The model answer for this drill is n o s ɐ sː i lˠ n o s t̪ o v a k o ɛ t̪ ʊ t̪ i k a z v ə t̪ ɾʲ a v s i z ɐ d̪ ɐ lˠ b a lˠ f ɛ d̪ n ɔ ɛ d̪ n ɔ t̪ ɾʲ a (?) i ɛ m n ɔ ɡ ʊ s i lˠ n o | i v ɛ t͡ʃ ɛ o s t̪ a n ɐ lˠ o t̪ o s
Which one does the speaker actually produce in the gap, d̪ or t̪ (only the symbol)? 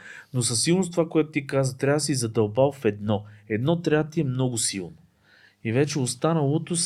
t̪